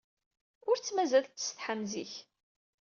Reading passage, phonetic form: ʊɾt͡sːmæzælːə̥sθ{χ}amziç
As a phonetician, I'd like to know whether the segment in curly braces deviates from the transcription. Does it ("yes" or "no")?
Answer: yes